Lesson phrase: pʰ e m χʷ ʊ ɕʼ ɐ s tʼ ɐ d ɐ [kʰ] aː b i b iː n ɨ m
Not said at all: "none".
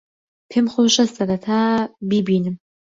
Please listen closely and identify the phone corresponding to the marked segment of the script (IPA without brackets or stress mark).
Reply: tʰ